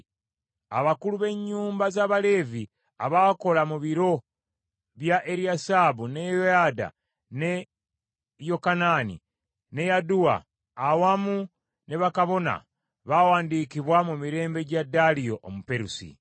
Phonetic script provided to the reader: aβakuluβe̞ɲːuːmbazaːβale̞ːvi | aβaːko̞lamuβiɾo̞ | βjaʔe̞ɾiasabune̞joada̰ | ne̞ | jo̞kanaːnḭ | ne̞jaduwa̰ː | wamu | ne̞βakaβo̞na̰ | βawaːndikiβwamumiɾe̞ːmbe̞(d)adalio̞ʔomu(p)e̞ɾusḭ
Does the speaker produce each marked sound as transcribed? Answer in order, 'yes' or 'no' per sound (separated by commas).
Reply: no, yes